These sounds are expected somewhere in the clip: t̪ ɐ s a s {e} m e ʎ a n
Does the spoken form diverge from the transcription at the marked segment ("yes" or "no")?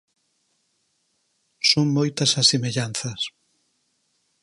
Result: no